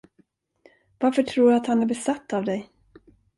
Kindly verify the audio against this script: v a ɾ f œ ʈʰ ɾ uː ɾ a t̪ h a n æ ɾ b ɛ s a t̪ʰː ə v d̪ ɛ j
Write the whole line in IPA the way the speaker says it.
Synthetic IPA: v a ɾ f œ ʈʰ ɾ uː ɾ a t̪ h a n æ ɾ b ɛ s a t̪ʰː a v d̪ ɛ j